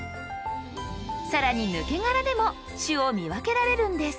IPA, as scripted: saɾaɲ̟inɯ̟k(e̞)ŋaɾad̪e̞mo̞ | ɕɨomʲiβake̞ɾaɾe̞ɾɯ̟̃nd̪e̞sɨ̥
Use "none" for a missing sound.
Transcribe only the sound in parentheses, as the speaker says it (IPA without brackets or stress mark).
e̞